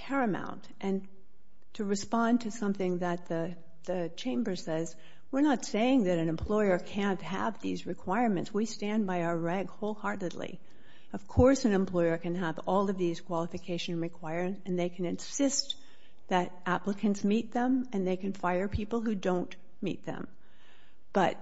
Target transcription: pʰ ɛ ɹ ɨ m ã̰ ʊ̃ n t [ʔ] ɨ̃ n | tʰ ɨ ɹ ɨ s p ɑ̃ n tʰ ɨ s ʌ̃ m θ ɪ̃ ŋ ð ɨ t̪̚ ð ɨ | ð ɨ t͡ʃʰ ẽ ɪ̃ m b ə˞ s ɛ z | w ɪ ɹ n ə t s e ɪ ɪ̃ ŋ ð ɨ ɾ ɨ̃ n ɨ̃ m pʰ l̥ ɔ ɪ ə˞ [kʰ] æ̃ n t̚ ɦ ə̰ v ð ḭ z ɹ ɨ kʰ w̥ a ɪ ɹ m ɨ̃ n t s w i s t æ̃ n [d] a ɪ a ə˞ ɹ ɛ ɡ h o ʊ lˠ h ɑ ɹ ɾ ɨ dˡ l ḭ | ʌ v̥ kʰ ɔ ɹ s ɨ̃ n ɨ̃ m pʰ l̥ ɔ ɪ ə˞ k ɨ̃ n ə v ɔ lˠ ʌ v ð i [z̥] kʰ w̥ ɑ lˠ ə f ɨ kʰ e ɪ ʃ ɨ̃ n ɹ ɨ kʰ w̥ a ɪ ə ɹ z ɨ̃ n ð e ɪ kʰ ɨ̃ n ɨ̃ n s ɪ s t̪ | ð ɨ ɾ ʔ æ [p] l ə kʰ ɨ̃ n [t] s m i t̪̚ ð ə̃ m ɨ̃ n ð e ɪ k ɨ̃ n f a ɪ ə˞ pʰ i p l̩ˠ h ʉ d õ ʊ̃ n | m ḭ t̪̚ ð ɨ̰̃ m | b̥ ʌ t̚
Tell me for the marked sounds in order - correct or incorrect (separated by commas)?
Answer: correct, correct, incorrect, correct, correct, correct